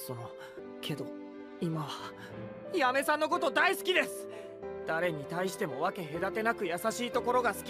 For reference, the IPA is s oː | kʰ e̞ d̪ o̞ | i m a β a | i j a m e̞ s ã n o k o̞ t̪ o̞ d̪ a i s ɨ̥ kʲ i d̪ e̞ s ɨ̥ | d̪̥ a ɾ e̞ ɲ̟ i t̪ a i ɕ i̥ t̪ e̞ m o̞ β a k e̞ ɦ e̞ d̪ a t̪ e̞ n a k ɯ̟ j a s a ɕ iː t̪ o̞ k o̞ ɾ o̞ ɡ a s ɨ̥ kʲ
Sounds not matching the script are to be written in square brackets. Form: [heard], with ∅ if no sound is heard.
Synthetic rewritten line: s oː | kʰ e̞ d̪ o̞ | i m a β a | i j a m e̞ s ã [nː] o k o̞ t̪ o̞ d̪ a i s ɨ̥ kʲ i d̪ e̞ s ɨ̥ | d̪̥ a ɾ e̞ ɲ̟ i t̪ a i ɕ i̥ t̪ e̞ m o̞ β a k e̞ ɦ e̞ d̪ a t̪ e̞ n a k ɯ̟ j a s a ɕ iː t̪ o̞ k o̞ ɾ o̞ ɡ a s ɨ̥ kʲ